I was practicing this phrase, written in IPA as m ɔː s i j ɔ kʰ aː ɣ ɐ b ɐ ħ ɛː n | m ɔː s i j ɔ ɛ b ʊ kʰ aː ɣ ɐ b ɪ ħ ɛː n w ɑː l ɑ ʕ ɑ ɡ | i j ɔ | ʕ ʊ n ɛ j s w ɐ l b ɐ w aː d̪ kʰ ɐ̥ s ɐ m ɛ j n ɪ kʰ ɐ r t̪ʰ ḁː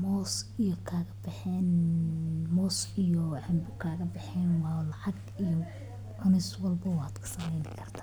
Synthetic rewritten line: m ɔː s i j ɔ kʰ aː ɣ ɐ b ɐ ħ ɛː n | m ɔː s i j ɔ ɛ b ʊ kʰ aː ɣ ɐ b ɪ ħ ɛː n w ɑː l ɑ ʕ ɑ ɡ | i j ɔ | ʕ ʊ n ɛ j s w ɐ l b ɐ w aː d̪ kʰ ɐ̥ s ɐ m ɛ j n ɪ kʰ ɐ r t̪ʰ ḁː